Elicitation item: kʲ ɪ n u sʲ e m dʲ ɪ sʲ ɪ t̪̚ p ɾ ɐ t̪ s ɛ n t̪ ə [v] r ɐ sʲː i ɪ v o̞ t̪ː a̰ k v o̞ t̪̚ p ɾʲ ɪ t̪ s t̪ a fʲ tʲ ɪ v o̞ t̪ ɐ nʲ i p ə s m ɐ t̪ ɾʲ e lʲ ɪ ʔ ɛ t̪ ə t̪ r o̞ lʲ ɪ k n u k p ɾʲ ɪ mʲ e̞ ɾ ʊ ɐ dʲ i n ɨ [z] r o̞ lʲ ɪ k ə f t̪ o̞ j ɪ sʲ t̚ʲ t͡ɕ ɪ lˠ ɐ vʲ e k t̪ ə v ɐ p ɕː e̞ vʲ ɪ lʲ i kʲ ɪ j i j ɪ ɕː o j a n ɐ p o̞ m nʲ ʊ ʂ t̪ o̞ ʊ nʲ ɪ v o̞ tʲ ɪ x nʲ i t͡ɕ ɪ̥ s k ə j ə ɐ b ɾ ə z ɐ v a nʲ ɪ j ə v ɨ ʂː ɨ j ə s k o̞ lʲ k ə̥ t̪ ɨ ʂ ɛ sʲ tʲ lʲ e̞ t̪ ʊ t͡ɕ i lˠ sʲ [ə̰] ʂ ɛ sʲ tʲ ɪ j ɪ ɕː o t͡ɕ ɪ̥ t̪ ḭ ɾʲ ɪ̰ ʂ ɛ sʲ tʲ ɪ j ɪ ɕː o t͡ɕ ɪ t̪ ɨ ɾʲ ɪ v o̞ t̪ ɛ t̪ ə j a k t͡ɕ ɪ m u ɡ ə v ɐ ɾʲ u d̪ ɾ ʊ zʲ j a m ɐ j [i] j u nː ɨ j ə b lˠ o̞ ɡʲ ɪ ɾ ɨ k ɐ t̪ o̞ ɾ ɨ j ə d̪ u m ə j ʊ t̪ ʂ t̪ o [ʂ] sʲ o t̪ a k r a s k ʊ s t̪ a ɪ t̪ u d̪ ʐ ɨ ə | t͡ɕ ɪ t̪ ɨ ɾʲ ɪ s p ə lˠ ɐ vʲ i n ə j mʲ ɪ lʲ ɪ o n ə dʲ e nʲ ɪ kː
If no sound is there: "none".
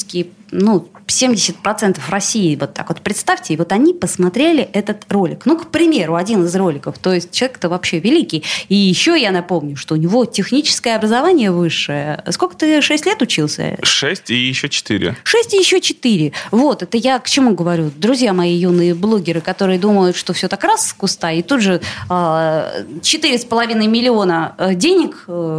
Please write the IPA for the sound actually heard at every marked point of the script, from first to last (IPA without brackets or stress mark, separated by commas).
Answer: f, z, ə̰, i, f